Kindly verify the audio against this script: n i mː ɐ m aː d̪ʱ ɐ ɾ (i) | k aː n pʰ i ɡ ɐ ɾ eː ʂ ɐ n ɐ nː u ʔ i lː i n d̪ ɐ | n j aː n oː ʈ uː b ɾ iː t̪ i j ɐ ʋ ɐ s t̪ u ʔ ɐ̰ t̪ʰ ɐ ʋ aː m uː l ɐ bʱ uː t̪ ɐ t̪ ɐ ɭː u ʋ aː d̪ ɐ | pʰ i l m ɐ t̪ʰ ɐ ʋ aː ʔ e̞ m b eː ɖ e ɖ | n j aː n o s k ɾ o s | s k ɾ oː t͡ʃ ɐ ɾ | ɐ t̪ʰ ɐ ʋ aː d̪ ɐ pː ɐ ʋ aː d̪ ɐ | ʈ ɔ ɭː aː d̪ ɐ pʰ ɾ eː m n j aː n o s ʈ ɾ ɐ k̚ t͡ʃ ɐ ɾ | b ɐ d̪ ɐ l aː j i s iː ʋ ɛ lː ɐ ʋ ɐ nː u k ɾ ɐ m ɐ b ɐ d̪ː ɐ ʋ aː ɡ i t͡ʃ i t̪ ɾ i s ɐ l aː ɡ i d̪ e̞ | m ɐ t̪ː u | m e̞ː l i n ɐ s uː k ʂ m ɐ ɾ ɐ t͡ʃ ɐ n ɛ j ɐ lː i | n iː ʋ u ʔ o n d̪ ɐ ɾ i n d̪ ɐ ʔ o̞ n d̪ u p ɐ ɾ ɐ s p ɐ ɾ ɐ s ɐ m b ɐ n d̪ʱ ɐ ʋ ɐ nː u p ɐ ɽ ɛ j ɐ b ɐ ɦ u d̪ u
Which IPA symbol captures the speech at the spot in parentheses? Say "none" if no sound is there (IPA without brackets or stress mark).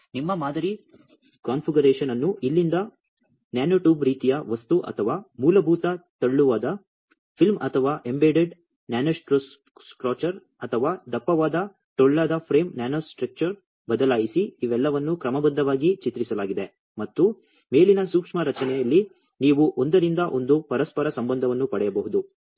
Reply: i